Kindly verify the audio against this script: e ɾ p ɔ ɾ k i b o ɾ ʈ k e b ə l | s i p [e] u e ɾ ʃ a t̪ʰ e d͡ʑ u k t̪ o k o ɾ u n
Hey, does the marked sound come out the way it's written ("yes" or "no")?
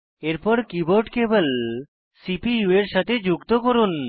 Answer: no